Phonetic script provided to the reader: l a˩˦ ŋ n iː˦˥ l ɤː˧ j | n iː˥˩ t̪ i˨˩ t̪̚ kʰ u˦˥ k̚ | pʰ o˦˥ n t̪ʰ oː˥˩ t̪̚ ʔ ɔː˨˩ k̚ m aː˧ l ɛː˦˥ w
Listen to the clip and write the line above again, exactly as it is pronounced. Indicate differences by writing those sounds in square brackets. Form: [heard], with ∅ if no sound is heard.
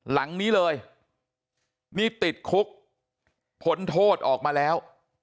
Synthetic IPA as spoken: l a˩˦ ŋ n iː˦˥ l ɤː˧ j | n iː˥˩ t̪ i˨˩ t̪̚ kʰ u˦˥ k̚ | pʰ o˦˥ n t̪ʰ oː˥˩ t̪̚ ʔ ɔː˨˩ k̚ m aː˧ l ɛː˦˥ w